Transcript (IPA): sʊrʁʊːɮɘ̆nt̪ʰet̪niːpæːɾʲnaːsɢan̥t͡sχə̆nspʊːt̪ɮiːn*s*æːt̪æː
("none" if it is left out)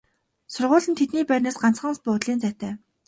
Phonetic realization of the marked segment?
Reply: t͡s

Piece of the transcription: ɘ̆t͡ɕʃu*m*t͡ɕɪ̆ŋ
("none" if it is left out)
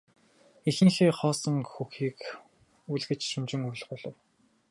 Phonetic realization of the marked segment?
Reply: m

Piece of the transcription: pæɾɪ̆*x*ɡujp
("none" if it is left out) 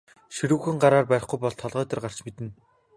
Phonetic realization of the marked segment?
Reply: χ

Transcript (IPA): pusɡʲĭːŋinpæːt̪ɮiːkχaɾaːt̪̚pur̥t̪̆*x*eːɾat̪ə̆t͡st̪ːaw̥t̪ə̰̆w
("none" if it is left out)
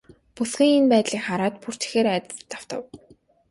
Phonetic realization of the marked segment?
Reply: x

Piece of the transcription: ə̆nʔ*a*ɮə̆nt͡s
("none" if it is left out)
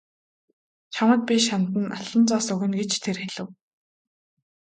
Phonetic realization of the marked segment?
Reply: a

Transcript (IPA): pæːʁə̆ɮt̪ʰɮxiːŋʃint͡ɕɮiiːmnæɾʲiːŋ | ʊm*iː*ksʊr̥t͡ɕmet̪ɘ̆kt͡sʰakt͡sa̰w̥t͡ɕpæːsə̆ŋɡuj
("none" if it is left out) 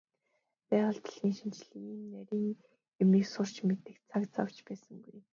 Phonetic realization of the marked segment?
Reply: iː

